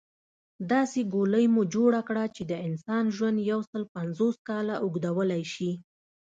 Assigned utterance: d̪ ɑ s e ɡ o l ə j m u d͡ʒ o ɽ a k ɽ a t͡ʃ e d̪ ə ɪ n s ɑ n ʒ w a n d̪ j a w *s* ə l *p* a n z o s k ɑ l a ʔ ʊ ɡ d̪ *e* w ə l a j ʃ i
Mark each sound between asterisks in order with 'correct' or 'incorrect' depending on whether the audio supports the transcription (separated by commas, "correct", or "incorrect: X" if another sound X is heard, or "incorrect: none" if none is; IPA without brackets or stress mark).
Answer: correct, correct, incorrect: a